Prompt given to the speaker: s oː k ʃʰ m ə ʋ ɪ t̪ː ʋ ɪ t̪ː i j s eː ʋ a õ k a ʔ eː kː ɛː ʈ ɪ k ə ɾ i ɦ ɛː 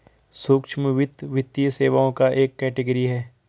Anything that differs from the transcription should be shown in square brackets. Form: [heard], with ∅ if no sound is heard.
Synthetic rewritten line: s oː k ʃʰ m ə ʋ ɪ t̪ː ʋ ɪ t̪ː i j s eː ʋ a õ k a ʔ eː kː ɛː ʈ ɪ [ɡ] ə ɾ i ɦ ɛː